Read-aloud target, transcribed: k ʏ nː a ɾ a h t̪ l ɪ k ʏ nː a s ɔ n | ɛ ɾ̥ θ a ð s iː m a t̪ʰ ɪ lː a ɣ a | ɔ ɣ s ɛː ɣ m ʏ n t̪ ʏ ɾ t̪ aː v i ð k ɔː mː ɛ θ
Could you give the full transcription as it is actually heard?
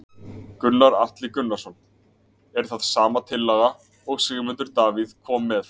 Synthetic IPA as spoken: k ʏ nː a ɾ a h t̪ l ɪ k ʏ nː a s ɔ n | ɛ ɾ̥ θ a ð s aː m a t̪ʰ ɪ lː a ɣ a | ɔ ɣ s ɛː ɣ m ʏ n t̪ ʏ ɾ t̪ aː v i ð kʰ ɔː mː ɛ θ